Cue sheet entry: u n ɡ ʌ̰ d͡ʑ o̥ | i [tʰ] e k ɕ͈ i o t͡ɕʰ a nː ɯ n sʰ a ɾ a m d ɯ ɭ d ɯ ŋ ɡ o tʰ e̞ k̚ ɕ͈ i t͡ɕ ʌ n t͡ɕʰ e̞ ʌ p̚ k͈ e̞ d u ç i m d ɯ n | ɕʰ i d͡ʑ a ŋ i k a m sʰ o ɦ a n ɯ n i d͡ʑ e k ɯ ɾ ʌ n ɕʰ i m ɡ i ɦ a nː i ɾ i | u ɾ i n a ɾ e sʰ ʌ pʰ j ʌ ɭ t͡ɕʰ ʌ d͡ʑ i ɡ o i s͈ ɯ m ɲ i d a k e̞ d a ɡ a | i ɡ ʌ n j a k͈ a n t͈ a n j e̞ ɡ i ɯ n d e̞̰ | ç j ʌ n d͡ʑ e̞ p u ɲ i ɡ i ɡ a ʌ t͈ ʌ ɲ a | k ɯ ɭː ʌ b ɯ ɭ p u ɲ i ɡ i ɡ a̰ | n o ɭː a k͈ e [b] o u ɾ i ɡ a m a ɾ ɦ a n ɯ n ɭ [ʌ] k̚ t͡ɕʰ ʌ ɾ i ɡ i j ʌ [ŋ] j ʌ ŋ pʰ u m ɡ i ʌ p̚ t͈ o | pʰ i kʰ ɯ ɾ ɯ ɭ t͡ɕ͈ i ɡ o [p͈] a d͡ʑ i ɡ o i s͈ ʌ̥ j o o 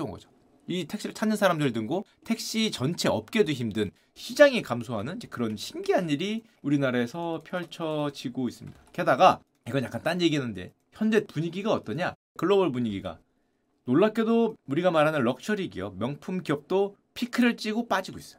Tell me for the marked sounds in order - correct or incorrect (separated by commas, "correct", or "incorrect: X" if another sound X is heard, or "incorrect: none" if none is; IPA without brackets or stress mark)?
correct, incorrect: d, correct, incorrect: m, correct